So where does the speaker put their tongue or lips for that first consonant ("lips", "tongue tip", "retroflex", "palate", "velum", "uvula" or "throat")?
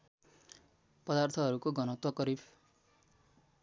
lips